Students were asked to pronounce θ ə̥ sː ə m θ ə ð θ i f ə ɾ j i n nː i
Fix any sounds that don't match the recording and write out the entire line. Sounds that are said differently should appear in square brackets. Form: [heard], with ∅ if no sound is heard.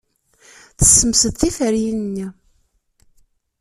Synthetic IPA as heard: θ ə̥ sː ə m [s] ə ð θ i f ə ɾ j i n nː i